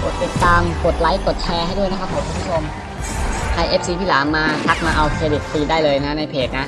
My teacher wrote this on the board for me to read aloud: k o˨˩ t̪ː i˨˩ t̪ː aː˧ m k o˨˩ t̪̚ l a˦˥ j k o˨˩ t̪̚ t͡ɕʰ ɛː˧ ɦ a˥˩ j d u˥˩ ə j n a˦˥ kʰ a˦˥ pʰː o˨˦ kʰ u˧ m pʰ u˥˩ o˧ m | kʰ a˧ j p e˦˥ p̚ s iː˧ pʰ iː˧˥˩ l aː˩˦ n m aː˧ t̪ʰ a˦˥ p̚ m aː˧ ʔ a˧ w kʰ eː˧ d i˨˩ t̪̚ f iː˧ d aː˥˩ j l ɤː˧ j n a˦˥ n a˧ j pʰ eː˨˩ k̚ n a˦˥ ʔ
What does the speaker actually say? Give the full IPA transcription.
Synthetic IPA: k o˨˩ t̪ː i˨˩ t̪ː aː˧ m k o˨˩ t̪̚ l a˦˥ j k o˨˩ t̪̚ t͡ɕʰ ɛː˧ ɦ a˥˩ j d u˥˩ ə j n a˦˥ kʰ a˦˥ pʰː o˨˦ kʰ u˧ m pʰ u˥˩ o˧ m | kʰ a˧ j ʔ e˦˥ p̚ s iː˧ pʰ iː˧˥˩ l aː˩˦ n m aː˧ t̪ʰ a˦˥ k̚ m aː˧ ʔ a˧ w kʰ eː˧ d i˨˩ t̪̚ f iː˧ d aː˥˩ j l ɤː˧ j n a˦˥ n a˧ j pʰ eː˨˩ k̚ n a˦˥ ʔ